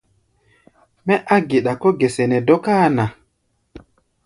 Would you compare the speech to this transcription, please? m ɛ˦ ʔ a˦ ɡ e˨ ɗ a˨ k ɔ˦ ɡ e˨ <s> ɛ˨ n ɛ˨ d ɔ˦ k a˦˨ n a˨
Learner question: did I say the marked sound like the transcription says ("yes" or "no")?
yes